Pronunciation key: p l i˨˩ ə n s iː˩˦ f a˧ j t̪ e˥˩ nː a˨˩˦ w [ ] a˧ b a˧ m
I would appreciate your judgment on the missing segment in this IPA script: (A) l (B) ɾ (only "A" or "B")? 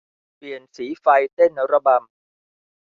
B